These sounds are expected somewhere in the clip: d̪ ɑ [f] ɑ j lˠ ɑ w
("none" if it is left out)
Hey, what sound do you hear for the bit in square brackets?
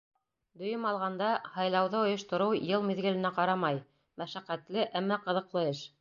h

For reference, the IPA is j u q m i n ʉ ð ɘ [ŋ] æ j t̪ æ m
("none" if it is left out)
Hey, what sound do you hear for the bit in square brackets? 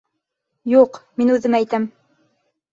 m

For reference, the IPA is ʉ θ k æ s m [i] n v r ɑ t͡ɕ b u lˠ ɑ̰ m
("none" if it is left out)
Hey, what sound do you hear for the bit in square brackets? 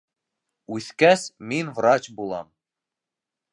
i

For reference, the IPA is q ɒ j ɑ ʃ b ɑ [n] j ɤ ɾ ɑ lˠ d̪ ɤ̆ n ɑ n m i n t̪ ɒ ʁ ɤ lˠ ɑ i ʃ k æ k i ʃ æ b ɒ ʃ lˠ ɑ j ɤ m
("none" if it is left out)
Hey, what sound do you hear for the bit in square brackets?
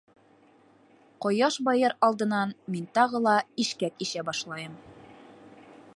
none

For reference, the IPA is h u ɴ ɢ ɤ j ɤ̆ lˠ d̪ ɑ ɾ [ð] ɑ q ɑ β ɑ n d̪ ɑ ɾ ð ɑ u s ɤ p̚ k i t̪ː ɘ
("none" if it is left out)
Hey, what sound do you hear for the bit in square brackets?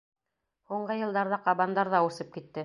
ð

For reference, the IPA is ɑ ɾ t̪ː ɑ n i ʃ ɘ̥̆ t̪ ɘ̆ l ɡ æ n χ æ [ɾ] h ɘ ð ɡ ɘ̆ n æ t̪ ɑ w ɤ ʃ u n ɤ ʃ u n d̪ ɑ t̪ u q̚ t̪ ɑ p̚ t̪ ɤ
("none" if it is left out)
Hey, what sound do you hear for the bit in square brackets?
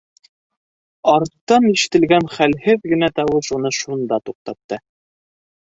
l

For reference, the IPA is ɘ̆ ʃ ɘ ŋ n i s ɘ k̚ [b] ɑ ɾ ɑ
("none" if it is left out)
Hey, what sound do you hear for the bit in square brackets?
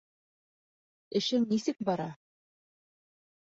b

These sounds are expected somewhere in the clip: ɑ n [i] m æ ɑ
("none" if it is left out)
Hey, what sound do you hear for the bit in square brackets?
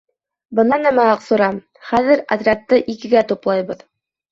æ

